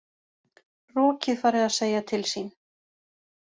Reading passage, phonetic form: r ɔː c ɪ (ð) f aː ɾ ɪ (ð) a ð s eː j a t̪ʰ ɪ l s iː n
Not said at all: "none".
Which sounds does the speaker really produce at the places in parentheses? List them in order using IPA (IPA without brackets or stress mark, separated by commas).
ð, ð